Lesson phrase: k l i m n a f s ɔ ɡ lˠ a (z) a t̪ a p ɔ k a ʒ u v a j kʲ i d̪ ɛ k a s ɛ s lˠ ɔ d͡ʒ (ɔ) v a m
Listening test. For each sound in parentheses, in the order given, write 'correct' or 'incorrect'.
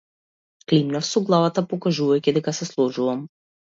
incorrect, incorrect

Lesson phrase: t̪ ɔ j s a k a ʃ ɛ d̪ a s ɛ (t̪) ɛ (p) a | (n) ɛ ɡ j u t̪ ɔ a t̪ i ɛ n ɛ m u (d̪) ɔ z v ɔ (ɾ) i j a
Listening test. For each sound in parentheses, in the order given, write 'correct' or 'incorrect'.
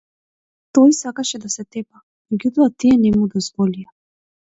correct, correct, incorrect, correct, incorrect

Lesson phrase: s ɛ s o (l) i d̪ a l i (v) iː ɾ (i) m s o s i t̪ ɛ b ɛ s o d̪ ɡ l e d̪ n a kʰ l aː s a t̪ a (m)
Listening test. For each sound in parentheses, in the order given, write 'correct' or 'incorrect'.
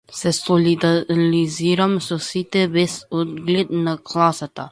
correct, incorrect, incorrect, incorrect

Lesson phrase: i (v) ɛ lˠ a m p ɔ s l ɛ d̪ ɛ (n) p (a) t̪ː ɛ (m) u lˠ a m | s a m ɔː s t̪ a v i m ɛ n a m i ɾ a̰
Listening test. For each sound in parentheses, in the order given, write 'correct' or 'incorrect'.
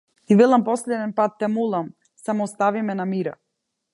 correct, correct, correct, correct

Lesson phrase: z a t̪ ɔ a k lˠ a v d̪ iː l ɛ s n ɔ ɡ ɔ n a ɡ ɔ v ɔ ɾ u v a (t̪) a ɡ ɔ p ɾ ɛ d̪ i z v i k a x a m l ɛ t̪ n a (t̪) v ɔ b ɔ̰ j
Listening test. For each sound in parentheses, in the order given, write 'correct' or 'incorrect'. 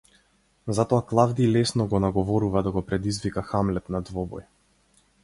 incorrect, incorrect

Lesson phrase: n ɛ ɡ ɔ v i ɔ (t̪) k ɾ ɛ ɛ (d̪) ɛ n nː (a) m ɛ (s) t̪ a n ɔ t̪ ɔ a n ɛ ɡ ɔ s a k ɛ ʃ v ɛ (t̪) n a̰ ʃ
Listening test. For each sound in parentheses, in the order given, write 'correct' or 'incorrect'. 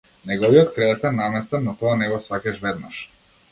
correct, incorrect, correct, correct, incorrect

